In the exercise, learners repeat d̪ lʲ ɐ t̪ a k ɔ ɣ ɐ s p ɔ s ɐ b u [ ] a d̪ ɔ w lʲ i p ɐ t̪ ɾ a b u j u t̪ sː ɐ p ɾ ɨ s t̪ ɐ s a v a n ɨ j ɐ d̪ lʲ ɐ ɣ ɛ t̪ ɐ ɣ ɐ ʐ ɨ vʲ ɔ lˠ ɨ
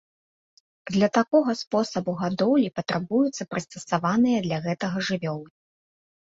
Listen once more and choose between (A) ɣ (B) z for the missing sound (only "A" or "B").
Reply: A